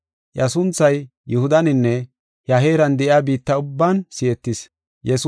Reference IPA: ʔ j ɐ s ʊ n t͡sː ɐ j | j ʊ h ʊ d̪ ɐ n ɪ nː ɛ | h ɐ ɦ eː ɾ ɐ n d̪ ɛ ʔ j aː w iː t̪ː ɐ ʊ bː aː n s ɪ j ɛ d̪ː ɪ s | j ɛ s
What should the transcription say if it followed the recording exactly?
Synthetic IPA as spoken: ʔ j ɐ s ʊ n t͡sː ɐ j | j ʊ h ʊ d̪ ɐ n ɪ nː ɛ | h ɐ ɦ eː ɾ ɐ n d̪ ɛ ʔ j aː b iː t̪ː ɐ ʊ bː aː n s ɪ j ɛ t̪ː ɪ s | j ɛ s